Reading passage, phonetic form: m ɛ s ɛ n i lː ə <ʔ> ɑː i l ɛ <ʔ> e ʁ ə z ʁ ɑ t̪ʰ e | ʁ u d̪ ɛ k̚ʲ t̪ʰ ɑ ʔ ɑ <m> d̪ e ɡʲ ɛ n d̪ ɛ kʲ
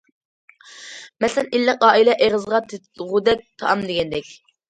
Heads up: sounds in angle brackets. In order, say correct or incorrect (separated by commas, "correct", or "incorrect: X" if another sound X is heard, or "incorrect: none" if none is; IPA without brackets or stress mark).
incorrect: q, correct, correct